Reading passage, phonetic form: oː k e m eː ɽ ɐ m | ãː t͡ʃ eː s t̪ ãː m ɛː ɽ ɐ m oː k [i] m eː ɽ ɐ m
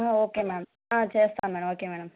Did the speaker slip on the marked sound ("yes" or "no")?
yes